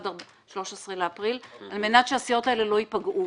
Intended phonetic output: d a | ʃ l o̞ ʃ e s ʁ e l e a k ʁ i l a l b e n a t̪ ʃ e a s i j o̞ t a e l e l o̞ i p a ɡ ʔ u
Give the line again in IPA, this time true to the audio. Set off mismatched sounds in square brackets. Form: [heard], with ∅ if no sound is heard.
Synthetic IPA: d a | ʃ l o̞ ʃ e s ʁ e l e a [p] ʁ i l a l [m] e n a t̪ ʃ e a s i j o̞ t a e l e l o̞ i p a ɡ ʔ u